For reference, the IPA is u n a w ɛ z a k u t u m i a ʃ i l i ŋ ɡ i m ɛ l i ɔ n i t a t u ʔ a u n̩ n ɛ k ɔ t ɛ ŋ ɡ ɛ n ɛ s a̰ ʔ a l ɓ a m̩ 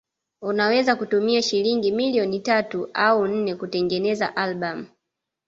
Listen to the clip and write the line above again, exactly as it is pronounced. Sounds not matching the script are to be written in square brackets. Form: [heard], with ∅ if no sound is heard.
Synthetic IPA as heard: u n a w ɛ z a k u t u m i a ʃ i l i ŋ ɡ i m [i] l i ɔ n i t a t u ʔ a u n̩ n ɛ k [u] t ɛ ŋ ɡ ɛ n ɛ [z] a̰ ʔ a l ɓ a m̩